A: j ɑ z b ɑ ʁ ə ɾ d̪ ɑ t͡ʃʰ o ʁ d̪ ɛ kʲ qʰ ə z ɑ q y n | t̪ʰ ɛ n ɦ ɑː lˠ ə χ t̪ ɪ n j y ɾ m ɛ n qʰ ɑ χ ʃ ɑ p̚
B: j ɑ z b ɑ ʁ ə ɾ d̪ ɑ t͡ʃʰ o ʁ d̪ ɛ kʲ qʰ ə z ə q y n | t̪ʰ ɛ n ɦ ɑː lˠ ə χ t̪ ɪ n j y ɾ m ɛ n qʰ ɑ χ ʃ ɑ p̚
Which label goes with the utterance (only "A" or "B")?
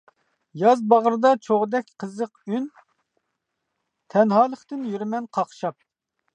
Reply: B